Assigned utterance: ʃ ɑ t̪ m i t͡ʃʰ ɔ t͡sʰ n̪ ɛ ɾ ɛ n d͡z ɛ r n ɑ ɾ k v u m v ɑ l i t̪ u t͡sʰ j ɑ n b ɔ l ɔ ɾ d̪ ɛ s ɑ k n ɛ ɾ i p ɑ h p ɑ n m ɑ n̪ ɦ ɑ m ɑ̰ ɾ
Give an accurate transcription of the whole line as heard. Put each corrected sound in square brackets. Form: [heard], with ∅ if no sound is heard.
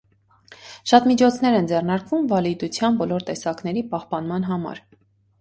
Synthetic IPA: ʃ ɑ t̪ m i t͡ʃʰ ɔ t͡sʰ n̪ ɛ ɾ ɛ n d͡z ɛ r n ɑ ɾ k v u m v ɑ l i [d̪] u t͡sʰ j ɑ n b ɔ l ɔ ɾ [t̪] ɛ s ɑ k n ɛ ɾ i p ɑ h p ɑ n m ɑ n̪ ɦ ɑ m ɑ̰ ɾ